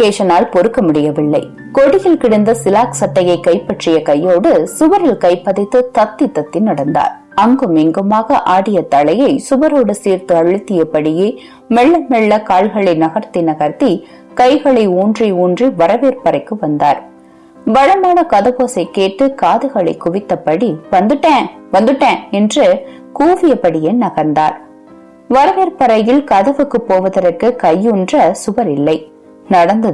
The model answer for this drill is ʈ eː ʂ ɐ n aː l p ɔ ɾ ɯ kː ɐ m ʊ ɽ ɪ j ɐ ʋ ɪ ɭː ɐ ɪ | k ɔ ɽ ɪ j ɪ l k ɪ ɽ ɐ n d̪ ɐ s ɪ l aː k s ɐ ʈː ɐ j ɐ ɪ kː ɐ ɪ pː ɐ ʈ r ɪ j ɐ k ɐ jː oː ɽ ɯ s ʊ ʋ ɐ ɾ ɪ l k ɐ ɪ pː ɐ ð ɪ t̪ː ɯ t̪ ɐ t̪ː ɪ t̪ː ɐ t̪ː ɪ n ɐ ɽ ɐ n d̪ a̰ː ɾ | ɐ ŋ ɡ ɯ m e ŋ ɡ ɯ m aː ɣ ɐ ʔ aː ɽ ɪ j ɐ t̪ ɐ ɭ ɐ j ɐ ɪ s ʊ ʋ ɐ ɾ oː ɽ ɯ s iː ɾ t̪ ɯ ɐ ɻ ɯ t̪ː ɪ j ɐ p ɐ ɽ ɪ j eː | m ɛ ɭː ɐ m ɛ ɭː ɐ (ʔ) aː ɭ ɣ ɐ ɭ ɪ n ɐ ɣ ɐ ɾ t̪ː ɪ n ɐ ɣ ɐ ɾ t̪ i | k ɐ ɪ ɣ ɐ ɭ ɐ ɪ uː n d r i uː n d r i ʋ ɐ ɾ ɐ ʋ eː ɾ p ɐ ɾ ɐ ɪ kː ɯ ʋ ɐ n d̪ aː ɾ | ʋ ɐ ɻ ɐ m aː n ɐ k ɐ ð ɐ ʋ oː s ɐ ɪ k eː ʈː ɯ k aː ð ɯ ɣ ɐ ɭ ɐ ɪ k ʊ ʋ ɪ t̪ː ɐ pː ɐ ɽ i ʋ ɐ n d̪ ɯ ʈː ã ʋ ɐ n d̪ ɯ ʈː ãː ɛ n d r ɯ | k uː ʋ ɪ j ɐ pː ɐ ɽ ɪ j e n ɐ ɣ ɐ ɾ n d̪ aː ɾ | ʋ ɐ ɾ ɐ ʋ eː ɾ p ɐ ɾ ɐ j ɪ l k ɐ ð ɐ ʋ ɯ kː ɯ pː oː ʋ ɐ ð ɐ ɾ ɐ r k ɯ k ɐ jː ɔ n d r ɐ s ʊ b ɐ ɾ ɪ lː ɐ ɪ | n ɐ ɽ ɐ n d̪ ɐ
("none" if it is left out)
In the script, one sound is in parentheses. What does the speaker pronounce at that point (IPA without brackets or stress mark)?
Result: k